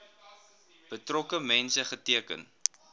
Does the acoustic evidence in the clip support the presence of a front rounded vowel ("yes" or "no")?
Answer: no